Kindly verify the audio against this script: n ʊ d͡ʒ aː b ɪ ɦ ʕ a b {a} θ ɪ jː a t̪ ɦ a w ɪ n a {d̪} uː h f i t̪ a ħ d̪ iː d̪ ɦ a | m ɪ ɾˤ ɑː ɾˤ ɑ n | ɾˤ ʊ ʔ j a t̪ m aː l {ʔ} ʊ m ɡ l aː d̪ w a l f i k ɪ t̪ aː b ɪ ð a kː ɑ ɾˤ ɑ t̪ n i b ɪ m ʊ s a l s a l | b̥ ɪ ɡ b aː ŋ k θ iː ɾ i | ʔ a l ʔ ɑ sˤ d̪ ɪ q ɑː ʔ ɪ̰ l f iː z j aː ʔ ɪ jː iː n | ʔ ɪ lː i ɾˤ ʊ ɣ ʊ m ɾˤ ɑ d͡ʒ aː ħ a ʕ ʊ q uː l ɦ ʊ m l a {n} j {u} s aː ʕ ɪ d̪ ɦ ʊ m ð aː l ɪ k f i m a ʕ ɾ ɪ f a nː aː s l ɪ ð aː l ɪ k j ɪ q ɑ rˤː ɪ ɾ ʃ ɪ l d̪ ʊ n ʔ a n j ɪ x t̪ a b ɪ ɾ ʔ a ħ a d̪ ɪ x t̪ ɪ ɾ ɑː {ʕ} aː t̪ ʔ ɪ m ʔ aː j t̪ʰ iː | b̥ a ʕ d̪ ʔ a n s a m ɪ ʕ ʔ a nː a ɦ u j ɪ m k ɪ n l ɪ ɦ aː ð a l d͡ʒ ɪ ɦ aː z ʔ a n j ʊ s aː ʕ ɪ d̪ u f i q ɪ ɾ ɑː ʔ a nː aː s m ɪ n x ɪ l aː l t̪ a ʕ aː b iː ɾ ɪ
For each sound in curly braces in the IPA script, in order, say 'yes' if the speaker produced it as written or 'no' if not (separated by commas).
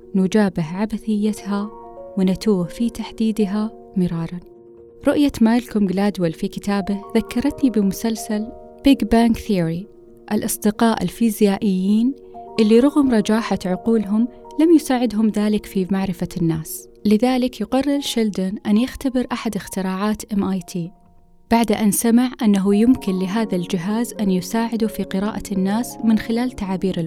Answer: yes, no, no, no, no, yes